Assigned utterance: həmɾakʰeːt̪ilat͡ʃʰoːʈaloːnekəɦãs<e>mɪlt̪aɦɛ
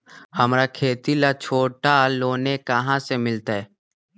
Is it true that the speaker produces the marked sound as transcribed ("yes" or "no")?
yes